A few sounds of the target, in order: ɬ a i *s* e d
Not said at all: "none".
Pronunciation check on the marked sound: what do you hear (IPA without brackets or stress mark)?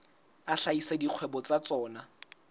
s